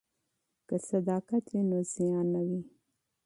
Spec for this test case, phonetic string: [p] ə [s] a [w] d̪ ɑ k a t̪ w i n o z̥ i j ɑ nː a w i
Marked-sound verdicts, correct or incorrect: incorrect, correct, incorrect

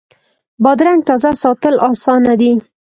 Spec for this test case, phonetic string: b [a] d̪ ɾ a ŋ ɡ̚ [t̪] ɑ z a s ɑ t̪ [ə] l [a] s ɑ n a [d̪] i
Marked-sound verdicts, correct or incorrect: incorrect, correct, correct, incorrect, correct

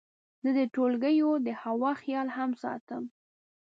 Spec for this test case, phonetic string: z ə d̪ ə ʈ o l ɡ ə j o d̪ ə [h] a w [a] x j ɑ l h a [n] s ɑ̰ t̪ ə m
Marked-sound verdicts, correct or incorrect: correct, incorrect, incorrect

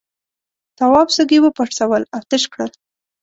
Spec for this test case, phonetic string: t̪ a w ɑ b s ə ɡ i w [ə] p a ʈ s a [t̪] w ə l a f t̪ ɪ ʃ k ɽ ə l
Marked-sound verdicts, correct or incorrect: correct, incorrect

